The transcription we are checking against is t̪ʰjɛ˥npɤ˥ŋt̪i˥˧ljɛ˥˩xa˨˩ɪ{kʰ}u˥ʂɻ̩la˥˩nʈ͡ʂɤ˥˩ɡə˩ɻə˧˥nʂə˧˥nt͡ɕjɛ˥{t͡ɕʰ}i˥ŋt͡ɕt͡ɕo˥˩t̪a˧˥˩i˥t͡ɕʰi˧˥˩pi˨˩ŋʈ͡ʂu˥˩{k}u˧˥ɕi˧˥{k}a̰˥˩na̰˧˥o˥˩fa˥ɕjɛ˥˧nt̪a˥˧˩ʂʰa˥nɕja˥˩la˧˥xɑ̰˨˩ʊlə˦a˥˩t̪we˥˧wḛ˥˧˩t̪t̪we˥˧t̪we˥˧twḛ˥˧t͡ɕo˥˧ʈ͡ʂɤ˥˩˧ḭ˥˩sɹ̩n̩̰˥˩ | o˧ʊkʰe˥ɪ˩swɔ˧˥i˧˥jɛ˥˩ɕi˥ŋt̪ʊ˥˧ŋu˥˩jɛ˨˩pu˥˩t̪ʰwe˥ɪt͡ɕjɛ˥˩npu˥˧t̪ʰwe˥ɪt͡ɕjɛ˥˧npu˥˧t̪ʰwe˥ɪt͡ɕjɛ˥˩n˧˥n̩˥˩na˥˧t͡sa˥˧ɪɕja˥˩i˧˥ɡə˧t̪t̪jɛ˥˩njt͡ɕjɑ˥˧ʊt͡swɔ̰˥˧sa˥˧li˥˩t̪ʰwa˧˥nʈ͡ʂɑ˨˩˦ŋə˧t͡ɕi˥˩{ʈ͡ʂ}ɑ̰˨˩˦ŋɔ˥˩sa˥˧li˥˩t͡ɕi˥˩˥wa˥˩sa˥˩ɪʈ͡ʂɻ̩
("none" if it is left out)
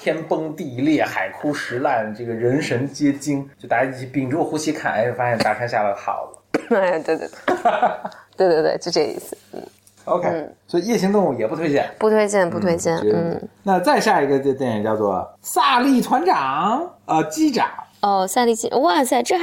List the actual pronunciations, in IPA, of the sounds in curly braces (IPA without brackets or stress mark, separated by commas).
kʰ, t͡ɕ, x, kʰ, ʈ͡ʂ